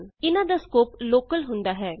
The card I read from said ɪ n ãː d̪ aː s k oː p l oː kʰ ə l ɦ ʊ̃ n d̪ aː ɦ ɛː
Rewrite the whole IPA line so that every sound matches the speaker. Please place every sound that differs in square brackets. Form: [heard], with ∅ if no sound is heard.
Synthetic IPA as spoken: ɪ n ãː d̪ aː s k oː p l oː [k] ə l ɦ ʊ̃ n d̪ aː ɦ ɛː